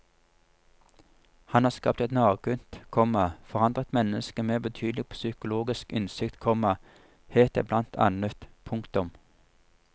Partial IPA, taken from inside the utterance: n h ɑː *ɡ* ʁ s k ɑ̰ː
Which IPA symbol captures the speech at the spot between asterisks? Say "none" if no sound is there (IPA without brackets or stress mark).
none